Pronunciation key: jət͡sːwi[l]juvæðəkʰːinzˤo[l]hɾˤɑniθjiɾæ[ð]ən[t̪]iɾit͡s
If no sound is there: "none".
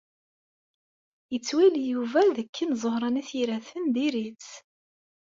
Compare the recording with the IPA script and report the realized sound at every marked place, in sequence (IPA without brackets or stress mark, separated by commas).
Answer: l, none, θ, d̪